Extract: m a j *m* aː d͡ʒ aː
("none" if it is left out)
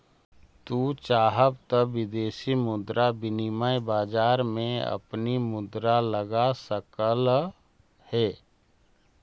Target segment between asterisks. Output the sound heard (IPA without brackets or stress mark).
b